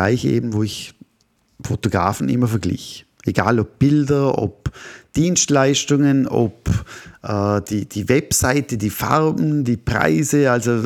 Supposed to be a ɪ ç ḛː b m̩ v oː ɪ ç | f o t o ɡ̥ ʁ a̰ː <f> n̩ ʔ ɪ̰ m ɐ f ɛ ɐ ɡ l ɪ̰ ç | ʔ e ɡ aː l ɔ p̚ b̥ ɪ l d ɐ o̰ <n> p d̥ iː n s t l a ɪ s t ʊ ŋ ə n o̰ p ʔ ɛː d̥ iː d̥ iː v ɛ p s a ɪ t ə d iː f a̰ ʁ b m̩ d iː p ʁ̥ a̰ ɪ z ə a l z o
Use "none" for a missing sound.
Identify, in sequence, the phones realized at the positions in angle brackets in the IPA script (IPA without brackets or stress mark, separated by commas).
f, none